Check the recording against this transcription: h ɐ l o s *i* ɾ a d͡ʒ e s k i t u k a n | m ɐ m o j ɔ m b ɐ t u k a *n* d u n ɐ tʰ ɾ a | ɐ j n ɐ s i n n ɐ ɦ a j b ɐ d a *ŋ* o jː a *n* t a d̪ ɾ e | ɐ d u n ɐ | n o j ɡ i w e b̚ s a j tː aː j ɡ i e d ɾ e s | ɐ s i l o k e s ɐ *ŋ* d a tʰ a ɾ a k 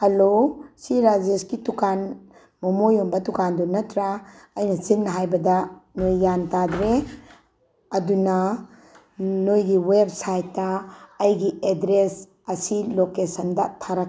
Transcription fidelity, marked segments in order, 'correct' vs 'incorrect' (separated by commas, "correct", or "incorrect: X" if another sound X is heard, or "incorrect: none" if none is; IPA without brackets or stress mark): correct, correct, incorrect: n, correct, incorrect: n